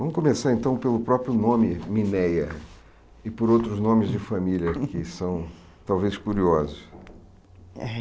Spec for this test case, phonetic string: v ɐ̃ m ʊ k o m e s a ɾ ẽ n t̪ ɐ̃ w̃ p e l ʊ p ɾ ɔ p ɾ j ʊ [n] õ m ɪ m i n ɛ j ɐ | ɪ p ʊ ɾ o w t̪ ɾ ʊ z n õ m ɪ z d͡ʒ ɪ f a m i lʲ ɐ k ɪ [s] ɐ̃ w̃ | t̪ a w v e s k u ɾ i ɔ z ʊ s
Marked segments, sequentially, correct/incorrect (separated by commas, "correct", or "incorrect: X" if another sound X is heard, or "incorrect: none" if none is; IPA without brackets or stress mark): correct, correct